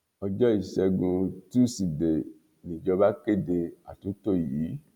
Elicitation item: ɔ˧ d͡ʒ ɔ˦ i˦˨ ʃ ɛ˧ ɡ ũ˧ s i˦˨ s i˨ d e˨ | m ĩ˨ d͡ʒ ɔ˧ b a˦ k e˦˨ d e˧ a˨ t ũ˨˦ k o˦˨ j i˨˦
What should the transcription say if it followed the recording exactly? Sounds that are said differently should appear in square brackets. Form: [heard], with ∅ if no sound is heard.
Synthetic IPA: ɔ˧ d͡ʒ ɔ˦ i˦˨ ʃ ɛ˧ ɡ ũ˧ [t] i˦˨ s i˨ d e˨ | [n] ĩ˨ d͡ʒ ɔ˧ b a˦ k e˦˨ d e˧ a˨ t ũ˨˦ [t] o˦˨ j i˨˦

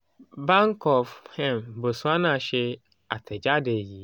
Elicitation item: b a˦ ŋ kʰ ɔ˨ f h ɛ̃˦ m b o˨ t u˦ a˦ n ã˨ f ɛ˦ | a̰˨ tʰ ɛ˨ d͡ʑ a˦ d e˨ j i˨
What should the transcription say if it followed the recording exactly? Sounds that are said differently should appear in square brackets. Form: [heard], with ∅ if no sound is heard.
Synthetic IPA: b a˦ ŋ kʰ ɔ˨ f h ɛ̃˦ m b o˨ [s] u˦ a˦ n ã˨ [ɕ] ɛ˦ | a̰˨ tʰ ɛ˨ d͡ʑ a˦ d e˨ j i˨

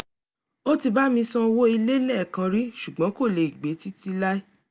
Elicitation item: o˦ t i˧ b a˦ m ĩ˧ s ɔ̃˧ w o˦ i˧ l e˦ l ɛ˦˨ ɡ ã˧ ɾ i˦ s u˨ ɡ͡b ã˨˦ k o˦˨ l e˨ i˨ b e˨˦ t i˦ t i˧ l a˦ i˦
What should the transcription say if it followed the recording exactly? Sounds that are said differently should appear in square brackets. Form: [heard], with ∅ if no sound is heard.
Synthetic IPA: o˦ t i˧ b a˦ m ĩ˧ s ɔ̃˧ w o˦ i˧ l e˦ l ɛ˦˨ [k] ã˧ ɾ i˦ [ʃ] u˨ ɡ͡b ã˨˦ k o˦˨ l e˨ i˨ [ɡ͡b] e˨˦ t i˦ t i˧ l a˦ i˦

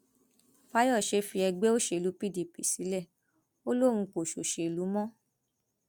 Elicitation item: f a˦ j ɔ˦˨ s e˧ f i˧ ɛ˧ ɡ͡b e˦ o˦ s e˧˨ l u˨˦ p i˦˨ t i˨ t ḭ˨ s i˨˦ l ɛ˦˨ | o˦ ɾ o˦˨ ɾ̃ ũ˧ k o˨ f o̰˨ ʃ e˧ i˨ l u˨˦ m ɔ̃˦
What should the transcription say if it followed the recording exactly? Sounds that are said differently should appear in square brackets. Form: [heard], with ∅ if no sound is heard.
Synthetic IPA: f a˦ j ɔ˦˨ [ʃ] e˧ f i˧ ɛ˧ ɡ͡b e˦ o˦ [ʃ] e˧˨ l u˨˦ p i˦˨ [d] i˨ [p] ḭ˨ s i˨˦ l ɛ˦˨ | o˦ [l] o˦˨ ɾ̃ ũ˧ k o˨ [ʃ] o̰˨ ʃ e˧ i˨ l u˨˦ m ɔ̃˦

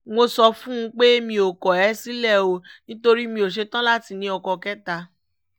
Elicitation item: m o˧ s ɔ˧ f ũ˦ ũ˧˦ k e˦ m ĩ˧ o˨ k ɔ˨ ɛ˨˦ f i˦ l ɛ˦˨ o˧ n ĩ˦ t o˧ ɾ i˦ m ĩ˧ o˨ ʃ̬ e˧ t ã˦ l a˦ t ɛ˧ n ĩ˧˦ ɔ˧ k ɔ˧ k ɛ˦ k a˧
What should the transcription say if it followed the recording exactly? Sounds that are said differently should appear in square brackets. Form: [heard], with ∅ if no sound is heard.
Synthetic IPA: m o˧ s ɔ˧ f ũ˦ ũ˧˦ [k͡p] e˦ m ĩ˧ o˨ k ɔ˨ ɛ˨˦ [s] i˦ l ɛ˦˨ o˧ n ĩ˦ t o˧ ɾ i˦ m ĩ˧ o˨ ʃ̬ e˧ t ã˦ l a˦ t [i˧] n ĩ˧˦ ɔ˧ k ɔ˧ k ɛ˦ [t] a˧

